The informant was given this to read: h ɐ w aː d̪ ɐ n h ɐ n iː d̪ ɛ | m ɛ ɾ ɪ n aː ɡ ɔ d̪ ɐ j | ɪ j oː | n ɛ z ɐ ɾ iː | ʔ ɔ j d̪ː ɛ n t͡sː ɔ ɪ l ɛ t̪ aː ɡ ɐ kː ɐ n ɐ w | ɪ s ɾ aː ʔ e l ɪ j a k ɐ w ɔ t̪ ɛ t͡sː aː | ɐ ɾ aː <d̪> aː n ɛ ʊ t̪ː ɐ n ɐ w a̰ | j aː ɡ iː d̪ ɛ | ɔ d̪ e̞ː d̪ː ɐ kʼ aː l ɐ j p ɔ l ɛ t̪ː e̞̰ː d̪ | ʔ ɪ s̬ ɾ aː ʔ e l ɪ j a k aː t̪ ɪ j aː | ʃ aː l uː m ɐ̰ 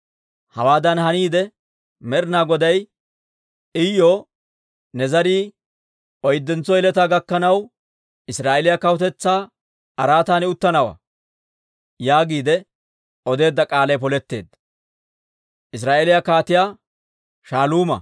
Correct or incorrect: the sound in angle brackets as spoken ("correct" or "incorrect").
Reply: incorrect